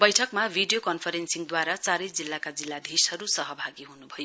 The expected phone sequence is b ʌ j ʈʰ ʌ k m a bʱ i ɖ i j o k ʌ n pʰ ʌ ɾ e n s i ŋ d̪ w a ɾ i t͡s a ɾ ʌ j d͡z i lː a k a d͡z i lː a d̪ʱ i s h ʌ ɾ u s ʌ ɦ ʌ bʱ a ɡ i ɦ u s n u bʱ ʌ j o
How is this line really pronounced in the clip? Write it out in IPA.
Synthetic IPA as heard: b ʌ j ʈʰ ʌ k m a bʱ i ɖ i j o k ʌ n pʰ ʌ ɾ e n s i ŋ d̪ w a ɾ a t͡s a ɾ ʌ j d͡z i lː a k a d͡z i lː a d̪ʱ i s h ʌ ɾ u s ʌ ɦ ʌ bʱ a ɡ i ɦ u n u bʱ ʌ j o